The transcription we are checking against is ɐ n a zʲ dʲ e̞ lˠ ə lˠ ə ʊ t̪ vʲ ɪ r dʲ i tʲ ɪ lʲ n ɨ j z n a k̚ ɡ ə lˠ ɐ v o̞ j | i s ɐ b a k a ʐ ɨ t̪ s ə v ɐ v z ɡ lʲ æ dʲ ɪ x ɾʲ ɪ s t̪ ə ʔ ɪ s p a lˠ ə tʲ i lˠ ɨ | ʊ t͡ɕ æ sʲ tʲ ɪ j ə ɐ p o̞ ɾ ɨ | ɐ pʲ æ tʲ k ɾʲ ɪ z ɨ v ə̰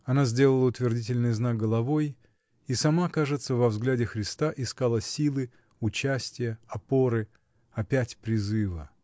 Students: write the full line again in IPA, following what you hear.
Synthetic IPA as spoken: ɐ n a zʲ dʲ e̞ lˠ ə lˠ ə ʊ t̪ vʲ ɪ r dʲ i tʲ ɪ lʲ n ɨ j z n a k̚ ɡ ə lˠ ɐ v o̞ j | i s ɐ m a k a ʐ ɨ t̪ s ə v ɐ v z ɡ lʲ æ dʲ ɪ x ɾʲ ɪ s t̪ a ʔ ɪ s k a lˠ ə sʲ i lˠ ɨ | ʊ t͡ɕ æ sʲ tʲ ɪ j ə ɐ p o̞ ɾ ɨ | ɐ pʲ æ tʲ p ɾʲ ɪ z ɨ v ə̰